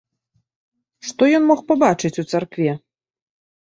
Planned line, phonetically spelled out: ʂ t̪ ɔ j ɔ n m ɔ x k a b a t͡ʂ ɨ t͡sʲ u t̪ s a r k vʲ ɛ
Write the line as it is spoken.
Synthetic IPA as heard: ʂ t̪ ɔ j ɔ n m ɔ x p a b a t͡ʂ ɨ t͡sʲ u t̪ s a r k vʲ ɛ